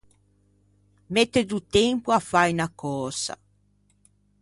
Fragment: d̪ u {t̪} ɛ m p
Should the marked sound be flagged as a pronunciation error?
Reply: no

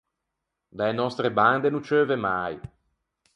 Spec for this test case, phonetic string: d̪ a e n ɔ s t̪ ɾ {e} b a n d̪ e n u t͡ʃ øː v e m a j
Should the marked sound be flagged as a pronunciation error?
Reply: no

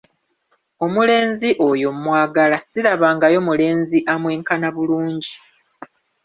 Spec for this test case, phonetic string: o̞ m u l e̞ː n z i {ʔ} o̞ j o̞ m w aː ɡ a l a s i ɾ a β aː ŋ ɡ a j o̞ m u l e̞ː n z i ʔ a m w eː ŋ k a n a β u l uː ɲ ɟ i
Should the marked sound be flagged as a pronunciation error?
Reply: no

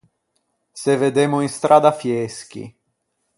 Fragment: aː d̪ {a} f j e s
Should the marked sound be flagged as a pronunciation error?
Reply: no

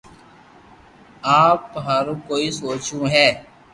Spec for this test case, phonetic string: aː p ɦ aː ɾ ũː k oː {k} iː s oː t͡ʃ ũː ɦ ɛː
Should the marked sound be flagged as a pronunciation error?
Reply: yes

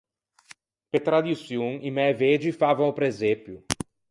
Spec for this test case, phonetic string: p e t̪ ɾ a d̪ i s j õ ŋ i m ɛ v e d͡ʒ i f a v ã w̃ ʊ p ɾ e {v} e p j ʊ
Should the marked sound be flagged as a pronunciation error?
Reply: yes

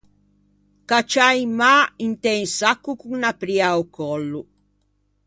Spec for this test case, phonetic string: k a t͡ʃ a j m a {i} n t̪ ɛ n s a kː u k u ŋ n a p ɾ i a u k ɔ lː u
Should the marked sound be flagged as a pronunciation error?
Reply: no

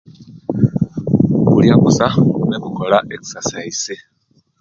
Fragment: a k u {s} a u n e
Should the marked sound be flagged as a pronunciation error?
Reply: no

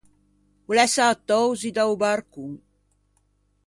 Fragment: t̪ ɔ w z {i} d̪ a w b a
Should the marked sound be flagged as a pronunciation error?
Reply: no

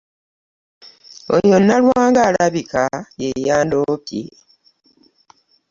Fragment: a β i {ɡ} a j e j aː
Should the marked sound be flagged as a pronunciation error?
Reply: yes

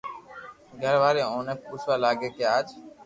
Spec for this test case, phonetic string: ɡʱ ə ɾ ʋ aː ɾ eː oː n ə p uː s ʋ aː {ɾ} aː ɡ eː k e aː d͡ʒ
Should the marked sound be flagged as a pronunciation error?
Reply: yes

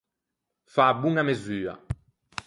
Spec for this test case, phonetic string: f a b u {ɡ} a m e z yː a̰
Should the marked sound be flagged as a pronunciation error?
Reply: yes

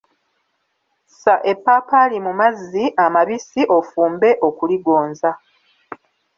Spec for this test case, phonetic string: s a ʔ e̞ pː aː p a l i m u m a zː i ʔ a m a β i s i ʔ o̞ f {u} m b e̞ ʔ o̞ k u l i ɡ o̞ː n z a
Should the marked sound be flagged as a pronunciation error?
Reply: yes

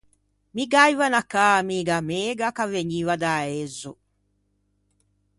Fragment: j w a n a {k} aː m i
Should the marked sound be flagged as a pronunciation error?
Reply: no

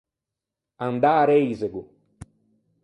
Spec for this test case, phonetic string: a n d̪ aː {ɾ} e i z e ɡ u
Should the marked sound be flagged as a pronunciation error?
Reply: no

